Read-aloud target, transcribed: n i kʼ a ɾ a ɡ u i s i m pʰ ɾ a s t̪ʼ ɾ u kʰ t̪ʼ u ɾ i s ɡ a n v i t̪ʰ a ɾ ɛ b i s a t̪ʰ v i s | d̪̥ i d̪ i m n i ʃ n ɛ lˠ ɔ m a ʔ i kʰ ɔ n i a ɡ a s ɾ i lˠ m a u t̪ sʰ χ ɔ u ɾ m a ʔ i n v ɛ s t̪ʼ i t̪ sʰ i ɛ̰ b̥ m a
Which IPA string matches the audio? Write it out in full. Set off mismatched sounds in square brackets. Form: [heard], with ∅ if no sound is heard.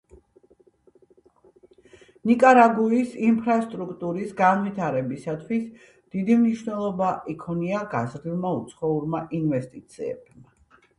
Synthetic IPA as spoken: n i kʼ a ɾ a ɡ u i s i m pʰ ɾ a s t̪ʼ ɾ u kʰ t̪ʼ u ɾ i s ɡ a n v i t̪ʰ a ɾ ɛ b i s a t̪ʰ [w] i s | d̪̥ i d̪ i m n i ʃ n ɛ lˠ ɔ [b] a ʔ i kʰ ɔ n i a ɡ a [z] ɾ i lˠ m a u t̪ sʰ χ ɔ u ɾ m a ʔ i n v ɛ s t̪ʼ i t̪ sʰ i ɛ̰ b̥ m a